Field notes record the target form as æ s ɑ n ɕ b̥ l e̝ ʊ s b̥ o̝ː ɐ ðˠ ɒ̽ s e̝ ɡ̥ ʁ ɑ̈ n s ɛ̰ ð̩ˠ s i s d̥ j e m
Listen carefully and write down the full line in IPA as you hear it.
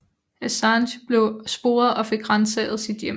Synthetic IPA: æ s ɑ n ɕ b̥ l e̝ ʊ s b̥ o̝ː ɐ ðˠ ɒ̽ f e̝ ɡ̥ ʁ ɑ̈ n s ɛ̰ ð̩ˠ s i d̥ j e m